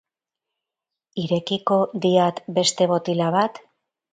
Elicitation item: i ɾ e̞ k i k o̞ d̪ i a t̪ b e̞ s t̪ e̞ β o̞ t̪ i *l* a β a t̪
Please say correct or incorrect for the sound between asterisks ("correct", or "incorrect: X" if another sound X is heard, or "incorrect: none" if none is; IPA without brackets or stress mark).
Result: correct